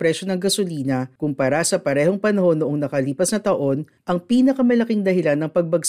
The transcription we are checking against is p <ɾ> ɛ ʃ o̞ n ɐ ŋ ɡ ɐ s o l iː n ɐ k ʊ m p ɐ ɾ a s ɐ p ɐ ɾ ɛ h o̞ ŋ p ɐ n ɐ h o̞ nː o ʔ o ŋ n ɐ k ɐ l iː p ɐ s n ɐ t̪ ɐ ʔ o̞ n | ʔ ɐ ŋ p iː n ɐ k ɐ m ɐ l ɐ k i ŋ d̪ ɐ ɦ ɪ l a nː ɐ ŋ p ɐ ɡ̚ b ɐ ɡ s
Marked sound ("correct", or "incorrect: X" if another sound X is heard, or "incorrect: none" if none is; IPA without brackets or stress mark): correct